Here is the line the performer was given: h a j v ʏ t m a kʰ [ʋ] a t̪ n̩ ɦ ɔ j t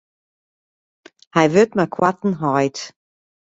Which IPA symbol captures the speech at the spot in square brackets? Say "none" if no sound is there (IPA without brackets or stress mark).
w